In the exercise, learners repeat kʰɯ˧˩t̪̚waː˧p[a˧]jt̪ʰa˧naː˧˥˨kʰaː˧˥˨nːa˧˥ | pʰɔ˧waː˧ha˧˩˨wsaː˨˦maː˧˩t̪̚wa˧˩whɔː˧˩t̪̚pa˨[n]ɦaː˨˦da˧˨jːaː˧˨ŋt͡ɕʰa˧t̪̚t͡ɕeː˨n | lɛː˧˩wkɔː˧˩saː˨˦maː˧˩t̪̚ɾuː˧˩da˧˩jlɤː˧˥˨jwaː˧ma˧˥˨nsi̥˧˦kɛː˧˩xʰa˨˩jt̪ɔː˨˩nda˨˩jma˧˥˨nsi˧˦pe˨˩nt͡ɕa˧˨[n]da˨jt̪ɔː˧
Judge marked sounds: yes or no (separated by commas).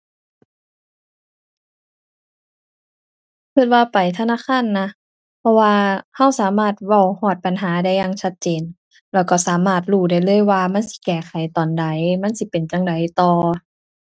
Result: no, yes, no